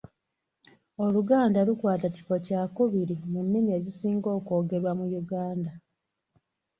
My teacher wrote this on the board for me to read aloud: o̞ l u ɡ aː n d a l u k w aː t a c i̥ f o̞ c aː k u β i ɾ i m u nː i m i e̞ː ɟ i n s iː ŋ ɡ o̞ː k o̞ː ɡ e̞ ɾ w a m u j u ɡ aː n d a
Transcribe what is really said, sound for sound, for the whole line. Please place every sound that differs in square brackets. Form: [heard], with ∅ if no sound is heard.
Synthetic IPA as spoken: o̞ l u ɡ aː n d a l u k w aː t a c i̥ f o̞ c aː k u β i ɾ i m u nː i m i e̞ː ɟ i [∅] s iː ŋ ɡ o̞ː k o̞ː ɡ e̞ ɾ w a m u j u ɡ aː n d a